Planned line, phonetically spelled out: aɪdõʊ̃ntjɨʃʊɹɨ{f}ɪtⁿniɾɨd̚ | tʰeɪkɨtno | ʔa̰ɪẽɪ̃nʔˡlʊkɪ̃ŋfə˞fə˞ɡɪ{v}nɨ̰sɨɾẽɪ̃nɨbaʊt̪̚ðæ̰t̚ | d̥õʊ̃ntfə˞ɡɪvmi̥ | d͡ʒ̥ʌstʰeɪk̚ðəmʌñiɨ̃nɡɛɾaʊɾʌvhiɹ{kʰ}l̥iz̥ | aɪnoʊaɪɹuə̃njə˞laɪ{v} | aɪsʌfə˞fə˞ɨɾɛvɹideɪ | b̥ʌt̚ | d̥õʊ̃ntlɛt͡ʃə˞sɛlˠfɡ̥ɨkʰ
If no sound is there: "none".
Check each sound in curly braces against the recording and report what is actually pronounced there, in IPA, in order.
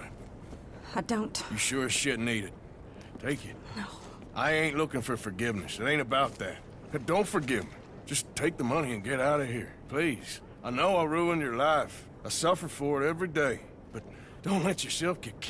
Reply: ʃ, v, pʰ, f

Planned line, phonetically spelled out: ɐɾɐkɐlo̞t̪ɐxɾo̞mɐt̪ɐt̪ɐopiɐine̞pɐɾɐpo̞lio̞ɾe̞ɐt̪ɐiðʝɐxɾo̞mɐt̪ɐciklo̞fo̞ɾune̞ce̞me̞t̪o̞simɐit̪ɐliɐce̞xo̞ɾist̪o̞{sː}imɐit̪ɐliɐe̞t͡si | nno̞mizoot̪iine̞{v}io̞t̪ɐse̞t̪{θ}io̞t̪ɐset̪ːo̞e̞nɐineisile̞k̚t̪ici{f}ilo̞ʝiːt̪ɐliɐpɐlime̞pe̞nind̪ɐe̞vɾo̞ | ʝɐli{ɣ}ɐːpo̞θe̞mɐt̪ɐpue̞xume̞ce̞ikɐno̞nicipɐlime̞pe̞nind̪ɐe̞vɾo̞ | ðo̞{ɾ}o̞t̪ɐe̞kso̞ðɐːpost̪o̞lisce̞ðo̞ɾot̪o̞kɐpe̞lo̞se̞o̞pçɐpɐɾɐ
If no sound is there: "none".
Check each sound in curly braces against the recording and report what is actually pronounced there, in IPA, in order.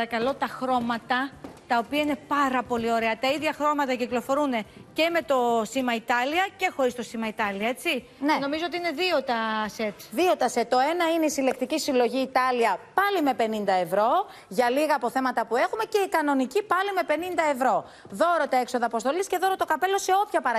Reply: s, ð, ð, s, ɣ, ɾ

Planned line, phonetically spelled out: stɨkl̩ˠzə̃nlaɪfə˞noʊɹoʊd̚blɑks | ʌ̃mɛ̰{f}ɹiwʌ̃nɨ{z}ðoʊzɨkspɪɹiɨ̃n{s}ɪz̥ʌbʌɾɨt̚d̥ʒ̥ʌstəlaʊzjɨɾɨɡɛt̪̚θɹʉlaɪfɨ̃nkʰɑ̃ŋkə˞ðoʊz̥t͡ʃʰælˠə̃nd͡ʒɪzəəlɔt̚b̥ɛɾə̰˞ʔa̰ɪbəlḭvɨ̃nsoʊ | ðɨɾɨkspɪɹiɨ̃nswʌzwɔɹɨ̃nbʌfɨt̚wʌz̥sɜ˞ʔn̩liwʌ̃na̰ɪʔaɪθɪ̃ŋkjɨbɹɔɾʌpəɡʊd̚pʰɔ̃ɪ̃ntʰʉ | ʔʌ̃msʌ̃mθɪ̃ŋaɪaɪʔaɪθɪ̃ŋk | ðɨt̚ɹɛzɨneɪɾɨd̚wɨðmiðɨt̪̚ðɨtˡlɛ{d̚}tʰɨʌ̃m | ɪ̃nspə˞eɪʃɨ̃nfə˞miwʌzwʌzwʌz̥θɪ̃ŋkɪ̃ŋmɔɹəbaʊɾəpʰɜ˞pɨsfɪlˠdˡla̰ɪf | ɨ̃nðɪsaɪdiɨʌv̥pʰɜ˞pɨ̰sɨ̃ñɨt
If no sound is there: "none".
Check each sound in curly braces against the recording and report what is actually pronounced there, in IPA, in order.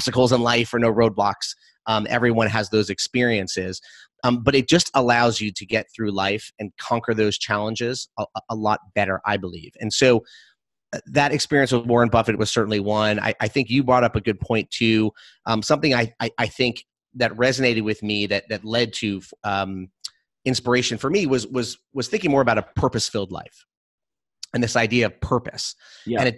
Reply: v, z, s, d̚

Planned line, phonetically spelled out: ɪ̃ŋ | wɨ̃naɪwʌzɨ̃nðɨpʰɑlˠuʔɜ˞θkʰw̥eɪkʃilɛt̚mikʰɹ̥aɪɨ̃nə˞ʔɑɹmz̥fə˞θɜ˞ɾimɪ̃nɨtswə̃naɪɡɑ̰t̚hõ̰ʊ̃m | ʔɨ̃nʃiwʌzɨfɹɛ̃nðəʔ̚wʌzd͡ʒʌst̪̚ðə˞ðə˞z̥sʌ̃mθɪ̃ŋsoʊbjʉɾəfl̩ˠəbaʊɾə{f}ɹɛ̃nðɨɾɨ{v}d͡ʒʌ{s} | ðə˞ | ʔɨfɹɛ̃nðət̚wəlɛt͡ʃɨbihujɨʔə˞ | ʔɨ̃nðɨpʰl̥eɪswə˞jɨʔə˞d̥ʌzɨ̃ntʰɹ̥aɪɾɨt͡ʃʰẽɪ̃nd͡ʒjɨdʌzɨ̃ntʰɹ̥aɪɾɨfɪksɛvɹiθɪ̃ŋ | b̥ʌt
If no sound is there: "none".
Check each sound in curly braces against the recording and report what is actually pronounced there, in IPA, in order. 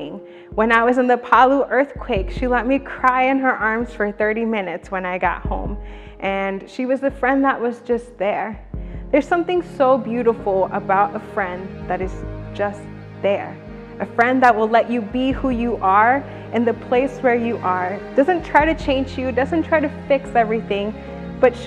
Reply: f, z, s

